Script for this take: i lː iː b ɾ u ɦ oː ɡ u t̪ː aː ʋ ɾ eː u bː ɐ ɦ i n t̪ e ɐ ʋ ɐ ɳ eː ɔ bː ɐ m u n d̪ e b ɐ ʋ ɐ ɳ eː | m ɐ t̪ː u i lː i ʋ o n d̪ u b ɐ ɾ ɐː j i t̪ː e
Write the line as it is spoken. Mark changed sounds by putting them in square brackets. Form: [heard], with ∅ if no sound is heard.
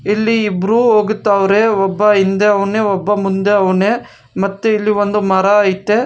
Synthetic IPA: i lː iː b ɾ u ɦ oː ɡ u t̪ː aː ʋ ɾ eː [ɔ] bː ɐ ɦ i n [d̪] e ɐ ʋ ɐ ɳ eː ɔ bː ɐ m u n d̪ e [∅] ɐ ʋ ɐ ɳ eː | m ɐ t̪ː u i lː i ʋ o n d̪ u [m] ɐ ɾ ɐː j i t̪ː e